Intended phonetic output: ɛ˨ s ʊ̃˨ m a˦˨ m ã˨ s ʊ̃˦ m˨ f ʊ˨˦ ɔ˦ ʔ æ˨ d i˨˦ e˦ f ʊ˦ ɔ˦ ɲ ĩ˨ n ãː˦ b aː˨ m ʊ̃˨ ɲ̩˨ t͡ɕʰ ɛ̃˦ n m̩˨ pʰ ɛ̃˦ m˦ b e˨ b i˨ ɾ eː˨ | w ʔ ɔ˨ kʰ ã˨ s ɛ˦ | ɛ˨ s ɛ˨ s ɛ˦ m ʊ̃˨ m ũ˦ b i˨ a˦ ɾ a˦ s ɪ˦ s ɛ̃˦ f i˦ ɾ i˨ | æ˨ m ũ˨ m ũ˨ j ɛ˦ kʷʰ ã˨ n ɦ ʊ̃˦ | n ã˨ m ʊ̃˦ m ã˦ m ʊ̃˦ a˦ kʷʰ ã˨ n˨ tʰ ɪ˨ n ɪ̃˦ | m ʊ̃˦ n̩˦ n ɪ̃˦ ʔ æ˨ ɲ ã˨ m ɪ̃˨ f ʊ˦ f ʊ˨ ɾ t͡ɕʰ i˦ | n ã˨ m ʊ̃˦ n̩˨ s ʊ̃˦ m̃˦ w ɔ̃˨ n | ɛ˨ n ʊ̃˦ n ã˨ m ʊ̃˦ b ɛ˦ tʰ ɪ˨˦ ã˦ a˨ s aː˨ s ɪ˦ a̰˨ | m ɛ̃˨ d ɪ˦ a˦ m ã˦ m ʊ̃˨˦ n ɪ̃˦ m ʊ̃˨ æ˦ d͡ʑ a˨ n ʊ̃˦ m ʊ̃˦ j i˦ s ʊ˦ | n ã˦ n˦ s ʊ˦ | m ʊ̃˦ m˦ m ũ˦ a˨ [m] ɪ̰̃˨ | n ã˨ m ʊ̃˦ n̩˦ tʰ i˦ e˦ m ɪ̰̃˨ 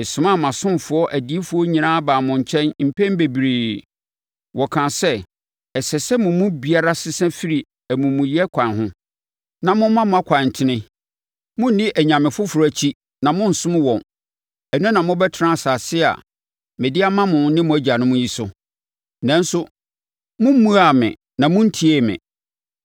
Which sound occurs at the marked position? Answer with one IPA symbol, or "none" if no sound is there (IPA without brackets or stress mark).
m